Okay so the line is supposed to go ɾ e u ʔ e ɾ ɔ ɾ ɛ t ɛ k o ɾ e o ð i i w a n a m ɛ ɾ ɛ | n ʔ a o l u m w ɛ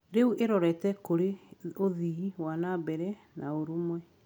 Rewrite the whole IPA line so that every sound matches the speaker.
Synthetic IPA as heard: ɾ e u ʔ e ɾ ɔ ɾ ɛ t ɛ k o ɾ e o ð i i w a n a b ɛ ɾ ɛ | n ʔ a o ɾ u m w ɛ